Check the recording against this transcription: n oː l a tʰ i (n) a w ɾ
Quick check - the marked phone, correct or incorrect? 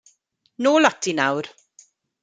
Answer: correct